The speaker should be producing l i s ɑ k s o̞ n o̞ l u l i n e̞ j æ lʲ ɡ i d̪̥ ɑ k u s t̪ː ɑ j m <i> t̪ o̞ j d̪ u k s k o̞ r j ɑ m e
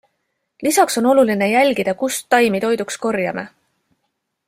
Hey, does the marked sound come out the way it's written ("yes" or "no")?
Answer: yes